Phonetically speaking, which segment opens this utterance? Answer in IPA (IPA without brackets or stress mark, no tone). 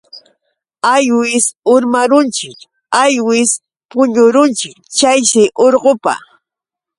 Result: a